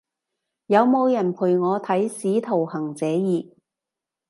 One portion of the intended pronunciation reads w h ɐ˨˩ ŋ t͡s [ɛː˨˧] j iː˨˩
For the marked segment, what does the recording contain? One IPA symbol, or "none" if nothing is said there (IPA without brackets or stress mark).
ɛː˨˧